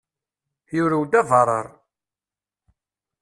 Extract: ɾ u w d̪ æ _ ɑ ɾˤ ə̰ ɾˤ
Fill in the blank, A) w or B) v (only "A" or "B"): B